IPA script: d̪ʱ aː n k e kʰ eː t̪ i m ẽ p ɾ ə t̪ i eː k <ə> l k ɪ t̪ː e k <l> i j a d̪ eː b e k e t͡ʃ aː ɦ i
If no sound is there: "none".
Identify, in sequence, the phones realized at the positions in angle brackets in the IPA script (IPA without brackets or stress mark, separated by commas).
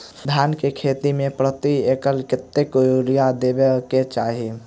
ə, ɾ